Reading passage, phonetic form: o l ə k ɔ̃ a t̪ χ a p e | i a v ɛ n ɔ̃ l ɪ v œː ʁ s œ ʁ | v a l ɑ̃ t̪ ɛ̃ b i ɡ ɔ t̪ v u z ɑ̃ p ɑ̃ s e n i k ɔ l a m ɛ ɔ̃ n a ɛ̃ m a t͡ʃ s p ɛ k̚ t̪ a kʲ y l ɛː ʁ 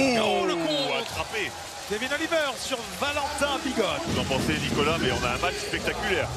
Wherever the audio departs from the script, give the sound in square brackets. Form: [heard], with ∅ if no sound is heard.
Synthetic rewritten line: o l ə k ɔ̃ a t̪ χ a p e | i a v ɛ n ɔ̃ l [i] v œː ʁ s [y] ʁ | v a l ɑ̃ t̪ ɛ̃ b i ɡ ɔ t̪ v u z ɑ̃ p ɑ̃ s e n i k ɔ l a m ɛ ɔ̃ n a ɛ̃ m a t͡ʃ s p ɛ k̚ t̪ a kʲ y l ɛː ʁ